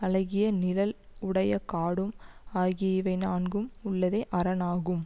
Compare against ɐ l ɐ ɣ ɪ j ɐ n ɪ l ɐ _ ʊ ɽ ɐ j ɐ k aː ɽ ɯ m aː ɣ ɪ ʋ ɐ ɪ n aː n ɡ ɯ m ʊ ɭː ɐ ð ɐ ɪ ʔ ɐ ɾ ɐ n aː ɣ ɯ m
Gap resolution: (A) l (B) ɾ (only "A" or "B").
A